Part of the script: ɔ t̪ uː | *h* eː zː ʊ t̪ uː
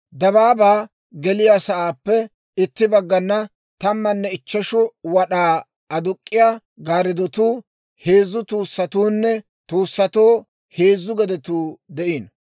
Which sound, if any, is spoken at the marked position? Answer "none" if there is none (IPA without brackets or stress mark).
h